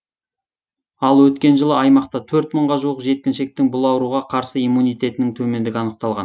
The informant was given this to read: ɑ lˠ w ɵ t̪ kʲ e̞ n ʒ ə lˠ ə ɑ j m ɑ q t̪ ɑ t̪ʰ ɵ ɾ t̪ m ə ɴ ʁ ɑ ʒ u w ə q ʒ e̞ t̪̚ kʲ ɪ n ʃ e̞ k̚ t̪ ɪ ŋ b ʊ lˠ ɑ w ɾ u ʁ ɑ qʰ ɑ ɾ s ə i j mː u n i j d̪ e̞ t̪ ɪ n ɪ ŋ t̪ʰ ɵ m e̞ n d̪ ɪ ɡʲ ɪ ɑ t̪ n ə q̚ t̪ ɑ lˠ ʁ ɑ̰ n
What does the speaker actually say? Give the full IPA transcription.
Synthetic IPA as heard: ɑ lˠ w ɵ t̪ kʲ e̞ n ʒ ə lˠ ə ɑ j m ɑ q t̪ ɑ t̪ʰ ɵ ɾ t̪ m ə ɴ ʁ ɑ ʒ u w ə q ʒ e̞ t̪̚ kʲ ɪ n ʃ e̞ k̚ t̪ ɪ ŋ b ʊ lˠ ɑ w ɾ u ʁ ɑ qʰ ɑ ɾ s ə i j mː u n i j t̪ e̞ t̪ ɪ n ɪ ŋ t̪ʰ ɵ m e̞ n d̪ ɪ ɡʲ ɪ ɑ n ə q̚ t̪ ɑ lˠ ʁ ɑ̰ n